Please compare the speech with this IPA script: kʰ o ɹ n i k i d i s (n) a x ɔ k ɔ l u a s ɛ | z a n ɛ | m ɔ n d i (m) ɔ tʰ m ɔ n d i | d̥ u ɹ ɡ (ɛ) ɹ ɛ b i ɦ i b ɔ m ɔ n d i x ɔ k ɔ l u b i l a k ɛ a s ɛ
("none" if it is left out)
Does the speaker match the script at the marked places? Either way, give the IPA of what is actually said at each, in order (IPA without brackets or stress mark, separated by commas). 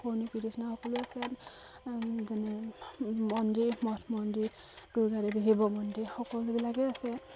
n, m, a